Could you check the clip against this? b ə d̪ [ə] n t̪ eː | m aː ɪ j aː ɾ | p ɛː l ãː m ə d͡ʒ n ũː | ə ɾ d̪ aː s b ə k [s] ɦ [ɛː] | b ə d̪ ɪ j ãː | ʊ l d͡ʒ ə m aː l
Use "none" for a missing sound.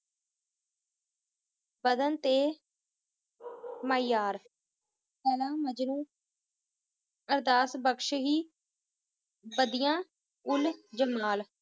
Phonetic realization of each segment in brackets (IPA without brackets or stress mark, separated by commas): ə, ʃ, iː